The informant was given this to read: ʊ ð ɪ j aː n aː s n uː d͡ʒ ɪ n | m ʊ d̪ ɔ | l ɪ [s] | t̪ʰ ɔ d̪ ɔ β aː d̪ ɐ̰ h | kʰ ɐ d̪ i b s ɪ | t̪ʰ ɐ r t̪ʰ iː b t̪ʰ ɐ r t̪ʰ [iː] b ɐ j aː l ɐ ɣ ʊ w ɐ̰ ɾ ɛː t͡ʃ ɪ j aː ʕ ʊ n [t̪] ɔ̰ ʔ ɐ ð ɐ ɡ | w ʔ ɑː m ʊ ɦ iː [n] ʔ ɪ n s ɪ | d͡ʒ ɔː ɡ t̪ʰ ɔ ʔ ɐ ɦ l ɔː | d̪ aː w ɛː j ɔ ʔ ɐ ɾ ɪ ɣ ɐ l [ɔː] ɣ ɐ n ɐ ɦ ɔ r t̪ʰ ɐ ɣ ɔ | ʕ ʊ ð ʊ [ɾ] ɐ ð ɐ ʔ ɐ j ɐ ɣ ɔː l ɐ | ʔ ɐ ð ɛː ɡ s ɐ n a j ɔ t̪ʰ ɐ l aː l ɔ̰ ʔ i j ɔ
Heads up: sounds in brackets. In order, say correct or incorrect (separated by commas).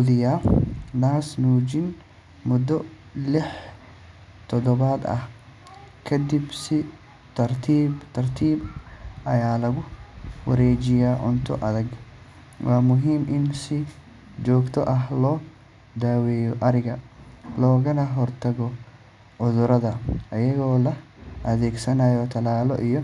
incorrect, correct, incorrect, incorrect, correct, correct